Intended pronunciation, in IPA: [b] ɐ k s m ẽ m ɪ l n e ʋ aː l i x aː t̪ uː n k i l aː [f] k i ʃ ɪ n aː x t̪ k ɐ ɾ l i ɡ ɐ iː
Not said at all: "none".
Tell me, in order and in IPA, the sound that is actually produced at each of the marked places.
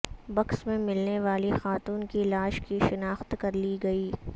b, ʃ

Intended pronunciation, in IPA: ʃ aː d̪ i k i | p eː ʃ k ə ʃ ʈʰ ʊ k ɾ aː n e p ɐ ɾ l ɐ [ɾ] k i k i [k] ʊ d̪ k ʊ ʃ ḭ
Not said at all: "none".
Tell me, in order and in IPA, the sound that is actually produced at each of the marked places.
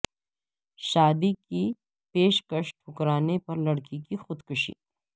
ɽ, x

